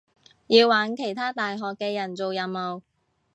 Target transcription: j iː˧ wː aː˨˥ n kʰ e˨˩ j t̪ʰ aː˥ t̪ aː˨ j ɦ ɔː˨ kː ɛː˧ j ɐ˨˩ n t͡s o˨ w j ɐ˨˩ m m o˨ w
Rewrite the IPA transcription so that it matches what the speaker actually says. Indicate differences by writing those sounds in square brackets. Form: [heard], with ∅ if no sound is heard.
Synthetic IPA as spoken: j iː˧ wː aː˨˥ n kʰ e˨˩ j t̪ʰ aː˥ t̪ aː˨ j ɦ ɔː˨ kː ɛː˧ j ɐ˨˩ n t͡s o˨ w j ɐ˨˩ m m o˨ w

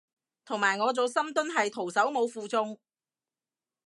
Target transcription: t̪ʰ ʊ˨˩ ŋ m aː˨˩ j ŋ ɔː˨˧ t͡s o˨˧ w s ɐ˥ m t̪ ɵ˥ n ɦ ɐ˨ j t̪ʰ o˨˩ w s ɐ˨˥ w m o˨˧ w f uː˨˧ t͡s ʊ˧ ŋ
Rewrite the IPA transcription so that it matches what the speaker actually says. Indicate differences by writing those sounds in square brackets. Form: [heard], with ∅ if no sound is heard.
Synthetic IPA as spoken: t̪ʰ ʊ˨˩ ŋ m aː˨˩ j ŋ ɔː˨˧ t͡s o˨˧ w s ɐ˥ m t̪ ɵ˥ n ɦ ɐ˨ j t̪ʰ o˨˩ w s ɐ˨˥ w m o˨˧ w f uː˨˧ t͡s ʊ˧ ŋ

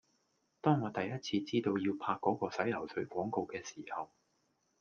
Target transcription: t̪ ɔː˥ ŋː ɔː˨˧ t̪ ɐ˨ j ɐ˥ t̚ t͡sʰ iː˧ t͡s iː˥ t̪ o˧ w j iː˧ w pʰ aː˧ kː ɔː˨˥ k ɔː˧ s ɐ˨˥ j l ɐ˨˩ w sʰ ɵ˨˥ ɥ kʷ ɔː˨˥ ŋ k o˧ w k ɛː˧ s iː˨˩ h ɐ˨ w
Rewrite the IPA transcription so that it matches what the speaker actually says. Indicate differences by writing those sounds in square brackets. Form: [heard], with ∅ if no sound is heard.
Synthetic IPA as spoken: t̪ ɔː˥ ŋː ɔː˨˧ t̪ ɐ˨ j ɐ˥ t̚ t͡sʰ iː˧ t͡s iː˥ t̪ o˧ w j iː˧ w pʰ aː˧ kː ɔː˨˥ k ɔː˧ s ɐ˨˥ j l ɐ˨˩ w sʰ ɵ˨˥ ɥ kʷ ɔː˨˥ ŋ k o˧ w k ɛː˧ s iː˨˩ h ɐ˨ w

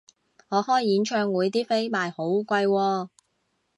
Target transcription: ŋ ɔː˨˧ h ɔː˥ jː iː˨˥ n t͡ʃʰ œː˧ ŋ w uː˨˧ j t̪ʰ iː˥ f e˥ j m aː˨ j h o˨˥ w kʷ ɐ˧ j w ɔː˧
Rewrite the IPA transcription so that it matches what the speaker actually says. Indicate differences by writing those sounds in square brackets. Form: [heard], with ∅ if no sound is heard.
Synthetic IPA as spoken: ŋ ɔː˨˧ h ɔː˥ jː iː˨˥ n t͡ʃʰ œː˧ ŋ w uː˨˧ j [t̪] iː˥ f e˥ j m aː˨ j h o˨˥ w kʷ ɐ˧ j w ɔː˧

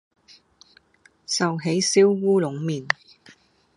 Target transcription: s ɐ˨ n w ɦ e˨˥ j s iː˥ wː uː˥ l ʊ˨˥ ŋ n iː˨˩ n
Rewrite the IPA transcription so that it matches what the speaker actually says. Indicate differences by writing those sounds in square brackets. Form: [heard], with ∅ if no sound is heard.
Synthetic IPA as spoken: s ɐ˨ [∅] w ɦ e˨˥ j s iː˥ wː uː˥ l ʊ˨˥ ŋ [m] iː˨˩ n

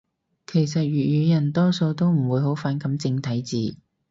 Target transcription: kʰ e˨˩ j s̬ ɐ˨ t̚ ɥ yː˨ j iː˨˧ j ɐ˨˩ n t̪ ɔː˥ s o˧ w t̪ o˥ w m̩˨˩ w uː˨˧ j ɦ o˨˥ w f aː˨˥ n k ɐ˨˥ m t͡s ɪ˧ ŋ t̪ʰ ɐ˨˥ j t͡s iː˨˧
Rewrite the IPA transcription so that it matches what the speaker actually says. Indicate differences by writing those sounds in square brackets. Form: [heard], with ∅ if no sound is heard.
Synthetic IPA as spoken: kʰ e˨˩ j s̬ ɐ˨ t̚ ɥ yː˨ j [yː˨˧] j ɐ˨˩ n t̪ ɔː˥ s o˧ w t̪ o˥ w m̩˨˩ w uː˨˧ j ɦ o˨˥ w f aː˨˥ n k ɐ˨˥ m t͡s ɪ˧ ŋ t̪ʰ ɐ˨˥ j t͡s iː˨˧

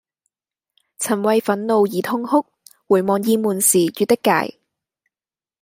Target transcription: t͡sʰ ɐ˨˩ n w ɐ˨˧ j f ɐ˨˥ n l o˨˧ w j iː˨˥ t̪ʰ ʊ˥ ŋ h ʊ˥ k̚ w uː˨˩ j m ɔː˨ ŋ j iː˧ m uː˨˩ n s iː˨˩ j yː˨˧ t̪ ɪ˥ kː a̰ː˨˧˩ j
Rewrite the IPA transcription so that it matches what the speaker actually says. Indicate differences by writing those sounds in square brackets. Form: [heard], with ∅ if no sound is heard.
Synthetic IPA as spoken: t͡sʰ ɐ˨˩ n w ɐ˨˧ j f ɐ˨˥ n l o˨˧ w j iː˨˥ t̪ʰ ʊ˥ ŋ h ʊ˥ k̚ w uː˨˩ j m ɔː˨ ŋ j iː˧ m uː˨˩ n s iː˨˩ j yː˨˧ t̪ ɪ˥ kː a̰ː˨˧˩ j

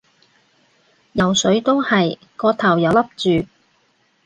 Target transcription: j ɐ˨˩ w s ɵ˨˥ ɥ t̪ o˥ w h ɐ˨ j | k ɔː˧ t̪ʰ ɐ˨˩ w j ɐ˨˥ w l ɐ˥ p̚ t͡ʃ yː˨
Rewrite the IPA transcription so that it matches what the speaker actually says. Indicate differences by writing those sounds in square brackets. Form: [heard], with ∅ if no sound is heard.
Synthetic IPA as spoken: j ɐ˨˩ w s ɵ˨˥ ɥ t̪ o˥ w h ɐ˨ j | k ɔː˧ t̪ʰ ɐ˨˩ w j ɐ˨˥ w l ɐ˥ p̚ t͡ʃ yː˨

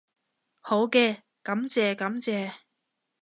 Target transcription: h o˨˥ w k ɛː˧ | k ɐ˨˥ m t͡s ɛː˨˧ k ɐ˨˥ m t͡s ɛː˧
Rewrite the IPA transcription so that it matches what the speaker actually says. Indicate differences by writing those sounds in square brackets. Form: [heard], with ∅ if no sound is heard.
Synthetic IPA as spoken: h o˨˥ w k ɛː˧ | k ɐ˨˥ m t͡s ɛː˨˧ k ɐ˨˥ m t͡s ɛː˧

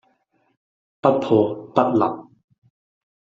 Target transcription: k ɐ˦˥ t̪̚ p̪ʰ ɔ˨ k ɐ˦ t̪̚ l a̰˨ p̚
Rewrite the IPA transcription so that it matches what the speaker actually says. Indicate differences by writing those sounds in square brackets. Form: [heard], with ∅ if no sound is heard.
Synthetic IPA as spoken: [p] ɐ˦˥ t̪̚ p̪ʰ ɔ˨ [p] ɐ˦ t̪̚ l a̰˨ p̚

